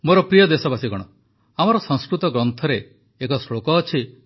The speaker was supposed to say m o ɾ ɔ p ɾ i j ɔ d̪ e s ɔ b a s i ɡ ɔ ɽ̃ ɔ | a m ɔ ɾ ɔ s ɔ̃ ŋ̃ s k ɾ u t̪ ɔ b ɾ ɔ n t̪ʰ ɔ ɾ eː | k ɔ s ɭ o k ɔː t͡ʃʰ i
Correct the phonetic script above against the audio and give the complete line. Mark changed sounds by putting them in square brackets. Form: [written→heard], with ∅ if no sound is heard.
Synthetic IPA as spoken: m o ɾ ɔ p ɾ i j ɔ d̪ e s ɔ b a s i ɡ ɔ ɽ̃ ɔ | a m ɔ ɾ ɔ s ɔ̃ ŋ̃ s k ɾ u t̪ ɔ [b→ɡ] ɾ ɔ n t̪ʰ ɔ ɾ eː | k ɔ s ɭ o k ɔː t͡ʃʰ i